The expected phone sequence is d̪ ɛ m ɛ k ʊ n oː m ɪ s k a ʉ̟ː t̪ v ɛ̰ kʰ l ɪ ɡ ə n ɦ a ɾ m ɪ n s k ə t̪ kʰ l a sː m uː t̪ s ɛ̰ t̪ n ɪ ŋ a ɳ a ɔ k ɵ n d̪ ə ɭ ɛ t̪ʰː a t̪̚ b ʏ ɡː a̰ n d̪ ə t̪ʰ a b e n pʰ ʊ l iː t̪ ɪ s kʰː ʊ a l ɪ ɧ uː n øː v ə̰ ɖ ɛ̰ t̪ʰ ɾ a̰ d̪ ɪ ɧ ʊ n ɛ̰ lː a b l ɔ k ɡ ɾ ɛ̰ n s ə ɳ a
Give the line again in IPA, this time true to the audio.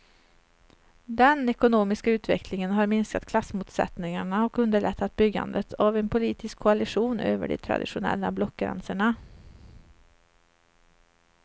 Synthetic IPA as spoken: d̪ ɛ n ɛ k ʊ n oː m ɪ s k a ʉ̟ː t̪ v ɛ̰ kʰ l ɪ ŋ ə n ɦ a ɾ m ɪ n s k a t̪ kʰ l a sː m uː t̪ s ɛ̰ t̪ n ɪ ŋ a ɳ a ɔ k ɵ n d̪ ə ɭ ɛ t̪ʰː a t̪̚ b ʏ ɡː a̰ n d̪ ə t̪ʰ a v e n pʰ ʊ l iː t̪ ɪ s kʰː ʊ a l ɪ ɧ uː n øː v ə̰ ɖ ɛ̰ t̪ʰ ɾ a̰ d̪ ɪ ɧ ʊ n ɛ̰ lː a b l ɔ k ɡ ɾ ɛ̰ n s ə ɳ a